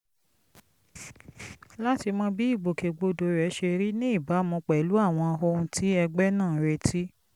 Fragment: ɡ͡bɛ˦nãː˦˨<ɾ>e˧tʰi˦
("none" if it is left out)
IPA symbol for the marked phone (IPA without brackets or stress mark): ɾ